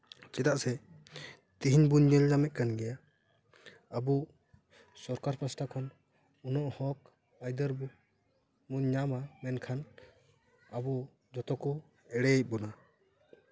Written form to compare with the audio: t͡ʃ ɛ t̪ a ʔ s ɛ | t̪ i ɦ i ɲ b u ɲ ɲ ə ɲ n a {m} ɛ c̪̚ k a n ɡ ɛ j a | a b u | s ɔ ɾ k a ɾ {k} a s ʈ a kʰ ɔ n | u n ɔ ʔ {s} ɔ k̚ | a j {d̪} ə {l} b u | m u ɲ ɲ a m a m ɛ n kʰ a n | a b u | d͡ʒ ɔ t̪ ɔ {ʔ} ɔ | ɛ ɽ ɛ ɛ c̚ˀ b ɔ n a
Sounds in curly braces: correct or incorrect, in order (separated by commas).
correct, incorrect, incorrect, correct, incorrect, incorrect